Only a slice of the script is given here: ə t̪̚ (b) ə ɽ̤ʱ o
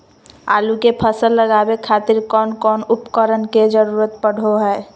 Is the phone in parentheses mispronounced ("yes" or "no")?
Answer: yes